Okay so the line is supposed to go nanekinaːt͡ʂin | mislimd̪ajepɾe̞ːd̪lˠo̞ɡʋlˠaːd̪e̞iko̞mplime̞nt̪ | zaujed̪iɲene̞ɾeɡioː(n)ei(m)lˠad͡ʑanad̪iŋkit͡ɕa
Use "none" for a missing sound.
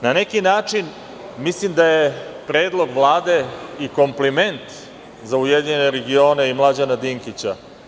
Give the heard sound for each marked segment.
n, m

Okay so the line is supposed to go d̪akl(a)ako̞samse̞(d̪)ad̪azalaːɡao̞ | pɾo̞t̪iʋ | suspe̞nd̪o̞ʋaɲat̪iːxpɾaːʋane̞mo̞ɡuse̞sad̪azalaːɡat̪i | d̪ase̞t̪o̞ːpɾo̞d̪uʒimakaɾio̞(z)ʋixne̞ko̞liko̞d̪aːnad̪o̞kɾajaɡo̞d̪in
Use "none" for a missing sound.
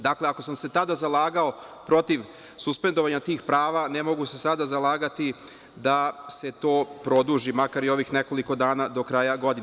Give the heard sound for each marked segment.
e, t̪, none

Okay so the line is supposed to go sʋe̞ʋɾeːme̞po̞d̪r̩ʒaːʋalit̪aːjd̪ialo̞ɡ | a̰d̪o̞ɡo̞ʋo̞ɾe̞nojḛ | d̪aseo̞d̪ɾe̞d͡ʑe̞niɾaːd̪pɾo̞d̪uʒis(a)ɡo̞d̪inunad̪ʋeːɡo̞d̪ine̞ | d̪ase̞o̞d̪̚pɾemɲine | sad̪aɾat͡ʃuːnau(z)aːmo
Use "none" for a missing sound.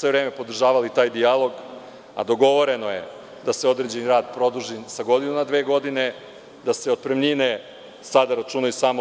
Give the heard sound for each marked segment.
a, s

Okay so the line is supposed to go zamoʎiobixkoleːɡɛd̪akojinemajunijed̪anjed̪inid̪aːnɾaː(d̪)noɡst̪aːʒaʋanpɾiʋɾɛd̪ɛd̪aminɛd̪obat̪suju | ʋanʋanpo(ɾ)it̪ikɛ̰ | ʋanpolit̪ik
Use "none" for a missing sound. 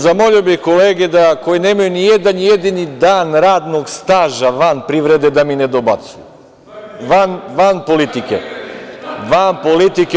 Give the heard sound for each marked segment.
d̪, l

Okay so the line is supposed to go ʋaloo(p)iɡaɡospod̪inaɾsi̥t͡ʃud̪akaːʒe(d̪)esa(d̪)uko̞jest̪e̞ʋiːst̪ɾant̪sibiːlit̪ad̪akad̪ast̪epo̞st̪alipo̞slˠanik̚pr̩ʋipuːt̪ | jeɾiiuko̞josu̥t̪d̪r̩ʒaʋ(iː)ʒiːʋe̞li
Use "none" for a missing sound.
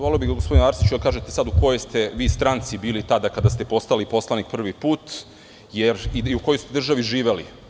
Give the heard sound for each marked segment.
b, t̪, d̪, i

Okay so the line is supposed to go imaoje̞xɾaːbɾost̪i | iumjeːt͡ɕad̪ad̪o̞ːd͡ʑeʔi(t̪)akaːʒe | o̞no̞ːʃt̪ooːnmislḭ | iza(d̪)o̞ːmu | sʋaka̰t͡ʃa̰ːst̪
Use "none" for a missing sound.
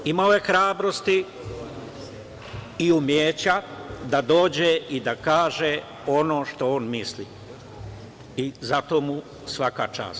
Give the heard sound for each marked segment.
d̪, t̪

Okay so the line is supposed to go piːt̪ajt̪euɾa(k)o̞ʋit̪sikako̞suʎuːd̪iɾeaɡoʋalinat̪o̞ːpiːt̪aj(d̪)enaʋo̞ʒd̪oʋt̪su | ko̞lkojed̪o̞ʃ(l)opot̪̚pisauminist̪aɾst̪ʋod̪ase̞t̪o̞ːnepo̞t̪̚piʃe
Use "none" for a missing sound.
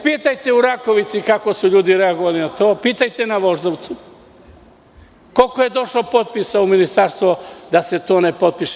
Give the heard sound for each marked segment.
k, t̪, l

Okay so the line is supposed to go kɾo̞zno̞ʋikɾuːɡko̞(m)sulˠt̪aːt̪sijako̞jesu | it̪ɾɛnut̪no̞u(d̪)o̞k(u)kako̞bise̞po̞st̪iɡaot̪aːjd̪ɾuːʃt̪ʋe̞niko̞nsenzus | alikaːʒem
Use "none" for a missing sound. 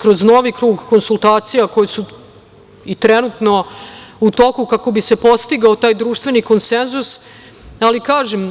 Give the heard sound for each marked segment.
n, t̪, u

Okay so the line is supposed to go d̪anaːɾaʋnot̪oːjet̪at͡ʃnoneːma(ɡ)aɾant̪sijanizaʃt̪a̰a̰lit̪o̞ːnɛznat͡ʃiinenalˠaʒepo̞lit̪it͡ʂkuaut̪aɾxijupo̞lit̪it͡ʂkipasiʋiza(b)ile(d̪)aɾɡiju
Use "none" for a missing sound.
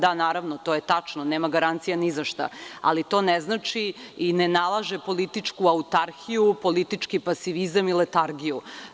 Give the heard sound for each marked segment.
ɡ, m, t̪

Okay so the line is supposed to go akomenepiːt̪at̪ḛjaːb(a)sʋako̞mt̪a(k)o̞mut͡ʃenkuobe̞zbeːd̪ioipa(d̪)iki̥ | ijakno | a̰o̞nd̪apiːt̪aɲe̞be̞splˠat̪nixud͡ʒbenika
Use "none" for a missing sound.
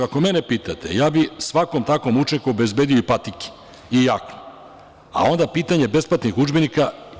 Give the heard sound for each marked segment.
i, k, t̪

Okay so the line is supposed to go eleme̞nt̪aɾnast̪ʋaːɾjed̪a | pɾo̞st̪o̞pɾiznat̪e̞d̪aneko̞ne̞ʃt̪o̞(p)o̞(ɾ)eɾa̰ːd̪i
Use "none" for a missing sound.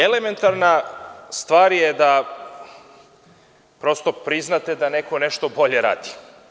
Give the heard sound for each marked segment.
b, ʎ

